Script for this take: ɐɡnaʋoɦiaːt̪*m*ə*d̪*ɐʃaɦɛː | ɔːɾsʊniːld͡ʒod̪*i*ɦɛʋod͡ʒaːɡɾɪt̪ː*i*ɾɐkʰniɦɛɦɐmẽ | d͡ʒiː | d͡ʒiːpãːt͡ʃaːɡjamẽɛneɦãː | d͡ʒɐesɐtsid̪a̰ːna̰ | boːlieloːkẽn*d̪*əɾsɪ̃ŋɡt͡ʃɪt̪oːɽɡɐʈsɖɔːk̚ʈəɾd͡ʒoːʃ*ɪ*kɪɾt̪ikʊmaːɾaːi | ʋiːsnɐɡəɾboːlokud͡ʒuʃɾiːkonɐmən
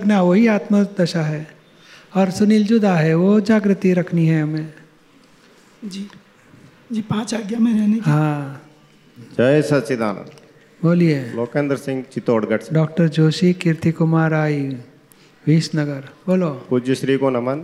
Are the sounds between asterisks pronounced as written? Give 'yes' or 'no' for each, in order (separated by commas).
yes, yes, no, yes, yes, no